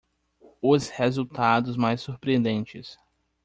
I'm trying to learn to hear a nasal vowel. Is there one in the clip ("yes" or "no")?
yes